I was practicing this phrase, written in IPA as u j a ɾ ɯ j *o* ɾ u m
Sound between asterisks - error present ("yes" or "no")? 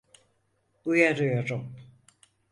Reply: no